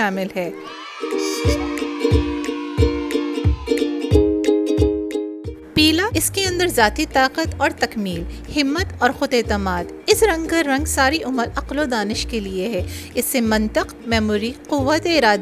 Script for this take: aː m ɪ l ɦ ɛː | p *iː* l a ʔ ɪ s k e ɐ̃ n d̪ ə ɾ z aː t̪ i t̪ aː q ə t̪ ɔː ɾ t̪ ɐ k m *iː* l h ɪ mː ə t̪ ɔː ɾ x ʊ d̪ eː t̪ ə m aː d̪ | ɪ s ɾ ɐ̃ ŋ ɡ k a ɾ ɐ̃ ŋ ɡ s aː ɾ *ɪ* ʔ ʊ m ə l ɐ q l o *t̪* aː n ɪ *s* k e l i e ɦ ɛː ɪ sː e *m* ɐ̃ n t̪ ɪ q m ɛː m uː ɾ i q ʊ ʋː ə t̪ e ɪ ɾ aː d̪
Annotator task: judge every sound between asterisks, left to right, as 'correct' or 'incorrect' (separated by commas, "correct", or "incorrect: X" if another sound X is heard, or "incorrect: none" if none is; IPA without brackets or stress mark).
correct, correct, incorrect: i, incorrect: d̪, incorrect: ʃ, correct